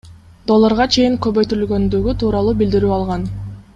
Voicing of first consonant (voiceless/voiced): voiced